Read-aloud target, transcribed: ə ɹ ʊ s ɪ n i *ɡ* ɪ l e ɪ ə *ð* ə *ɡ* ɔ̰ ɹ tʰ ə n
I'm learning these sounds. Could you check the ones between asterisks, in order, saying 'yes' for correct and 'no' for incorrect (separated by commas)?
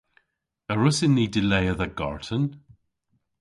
no, yes, yes